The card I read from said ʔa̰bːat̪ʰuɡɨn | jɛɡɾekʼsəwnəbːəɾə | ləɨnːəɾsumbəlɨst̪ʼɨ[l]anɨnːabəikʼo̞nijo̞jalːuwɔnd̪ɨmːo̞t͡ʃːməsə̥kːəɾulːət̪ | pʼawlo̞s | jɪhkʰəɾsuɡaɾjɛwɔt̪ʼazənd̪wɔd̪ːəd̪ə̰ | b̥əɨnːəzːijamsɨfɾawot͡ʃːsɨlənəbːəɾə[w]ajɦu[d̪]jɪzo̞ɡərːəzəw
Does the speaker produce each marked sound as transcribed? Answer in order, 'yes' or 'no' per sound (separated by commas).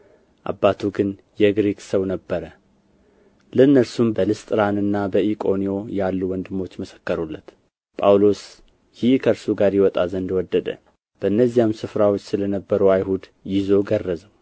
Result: no, yes, yes